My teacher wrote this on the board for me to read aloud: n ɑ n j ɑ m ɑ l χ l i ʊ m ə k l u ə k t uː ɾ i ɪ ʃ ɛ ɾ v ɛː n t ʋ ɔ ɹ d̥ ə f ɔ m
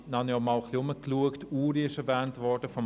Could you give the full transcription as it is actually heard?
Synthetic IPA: n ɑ n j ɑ m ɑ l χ l i ʊ m ə k l u ə k t uː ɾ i ɪ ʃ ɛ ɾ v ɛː n t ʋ ɔ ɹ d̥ ə f ɔ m